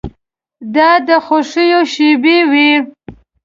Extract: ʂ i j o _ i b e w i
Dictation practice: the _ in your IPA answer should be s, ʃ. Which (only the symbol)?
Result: ʃ